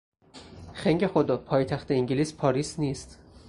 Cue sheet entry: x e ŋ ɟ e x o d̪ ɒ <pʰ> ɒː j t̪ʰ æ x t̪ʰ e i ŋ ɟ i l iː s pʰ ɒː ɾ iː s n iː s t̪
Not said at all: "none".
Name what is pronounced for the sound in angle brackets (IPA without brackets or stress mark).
pʰ